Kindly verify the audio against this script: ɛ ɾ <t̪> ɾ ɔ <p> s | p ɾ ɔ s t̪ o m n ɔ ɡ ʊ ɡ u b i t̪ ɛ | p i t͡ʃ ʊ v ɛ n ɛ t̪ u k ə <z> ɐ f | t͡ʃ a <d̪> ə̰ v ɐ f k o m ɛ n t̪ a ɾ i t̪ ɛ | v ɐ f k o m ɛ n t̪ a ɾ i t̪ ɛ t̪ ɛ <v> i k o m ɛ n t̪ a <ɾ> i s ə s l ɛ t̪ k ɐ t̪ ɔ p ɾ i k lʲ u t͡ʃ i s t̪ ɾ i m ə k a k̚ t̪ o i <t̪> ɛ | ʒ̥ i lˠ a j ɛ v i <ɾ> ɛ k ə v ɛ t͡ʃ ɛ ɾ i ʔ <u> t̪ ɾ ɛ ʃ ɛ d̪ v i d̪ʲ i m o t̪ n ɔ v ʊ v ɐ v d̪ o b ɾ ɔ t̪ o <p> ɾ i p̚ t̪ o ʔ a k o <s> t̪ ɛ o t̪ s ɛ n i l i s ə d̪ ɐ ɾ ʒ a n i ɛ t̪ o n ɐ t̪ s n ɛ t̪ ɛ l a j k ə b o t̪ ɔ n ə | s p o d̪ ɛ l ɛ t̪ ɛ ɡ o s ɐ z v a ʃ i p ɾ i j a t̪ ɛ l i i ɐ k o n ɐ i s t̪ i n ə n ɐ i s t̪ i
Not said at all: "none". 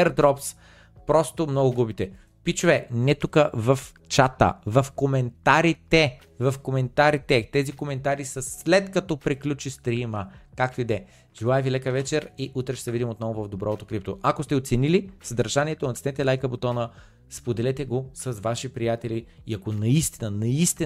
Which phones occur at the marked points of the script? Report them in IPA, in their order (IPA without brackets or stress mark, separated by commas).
d̪, p, v, t̪, z, ɾ, d̪, l, u, k, s